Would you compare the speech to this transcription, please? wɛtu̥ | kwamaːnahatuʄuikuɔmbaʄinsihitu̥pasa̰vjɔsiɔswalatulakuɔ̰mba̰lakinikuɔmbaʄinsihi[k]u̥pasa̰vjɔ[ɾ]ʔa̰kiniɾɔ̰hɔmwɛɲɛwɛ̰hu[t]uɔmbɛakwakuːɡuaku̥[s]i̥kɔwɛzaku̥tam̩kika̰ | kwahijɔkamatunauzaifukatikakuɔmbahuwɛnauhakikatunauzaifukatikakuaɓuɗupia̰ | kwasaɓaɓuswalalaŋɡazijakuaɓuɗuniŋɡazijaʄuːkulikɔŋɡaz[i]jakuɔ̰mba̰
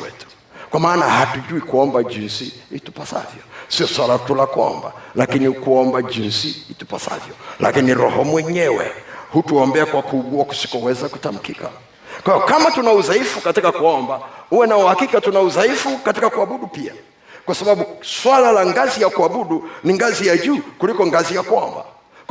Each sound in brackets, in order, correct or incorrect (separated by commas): incorrect, incorrect, correct, correct, correct